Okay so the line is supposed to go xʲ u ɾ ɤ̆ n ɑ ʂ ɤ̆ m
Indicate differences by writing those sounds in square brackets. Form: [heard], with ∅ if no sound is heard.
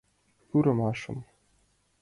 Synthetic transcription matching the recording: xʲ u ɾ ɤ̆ [m] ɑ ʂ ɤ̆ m

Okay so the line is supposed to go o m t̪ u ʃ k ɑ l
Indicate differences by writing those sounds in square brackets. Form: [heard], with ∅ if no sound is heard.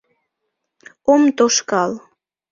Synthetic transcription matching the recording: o m t̪ [o] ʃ k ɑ l

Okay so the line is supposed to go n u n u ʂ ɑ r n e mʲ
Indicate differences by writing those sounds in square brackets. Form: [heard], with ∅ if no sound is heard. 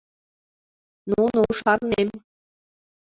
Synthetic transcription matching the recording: n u n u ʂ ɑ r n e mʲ

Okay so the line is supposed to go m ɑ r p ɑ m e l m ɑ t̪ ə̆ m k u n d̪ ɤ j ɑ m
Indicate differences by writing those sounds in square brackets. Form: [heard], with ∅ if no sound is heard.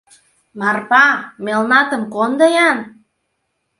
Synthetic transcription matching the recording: m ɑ r p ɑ m e l [n] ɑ t̪ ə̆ m k [o] n d̪ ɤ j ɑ [n]

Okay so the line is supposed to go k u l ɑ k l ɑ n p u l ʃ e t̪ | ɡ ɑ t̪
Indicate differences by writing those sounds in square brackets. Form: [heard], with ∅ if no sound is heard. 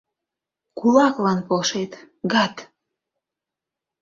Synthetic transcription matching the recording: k u l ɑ k l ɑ n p [o] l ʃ e t̪ | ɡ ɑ t̪

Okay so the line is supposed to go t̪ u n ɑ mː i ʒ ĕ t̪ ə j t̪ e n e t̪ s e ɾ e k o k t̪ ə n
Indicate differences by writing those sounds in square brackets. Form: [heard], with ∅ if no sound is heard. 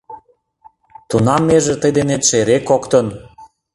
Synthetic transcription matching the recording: t̪ u n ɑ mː [e] ʒ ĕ t̪ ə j [d̪] e n e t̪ [ʃ] e ɾ e k o k t̪ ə n

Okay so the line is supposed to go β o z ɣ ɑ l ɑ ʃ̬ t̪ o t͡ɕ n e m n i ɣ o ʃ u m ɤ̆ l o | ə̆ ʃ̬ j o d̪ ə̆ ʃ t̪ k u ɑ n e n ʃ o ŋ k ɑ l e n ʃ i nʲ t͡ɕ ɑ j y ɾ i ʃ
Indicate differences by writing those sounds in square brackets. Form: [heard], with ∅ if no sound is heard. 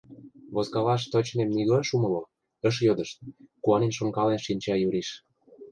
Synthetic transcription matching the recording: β o z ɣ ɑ l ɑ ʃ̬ t̪ o t͡ɕ n e m n i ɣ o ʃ u m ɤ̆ l o | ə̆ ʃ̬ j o d̪ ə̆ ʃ t̪ k u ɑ n e n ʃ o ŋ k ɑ l e n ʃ i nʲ t͡ɕ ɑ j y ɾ i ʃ

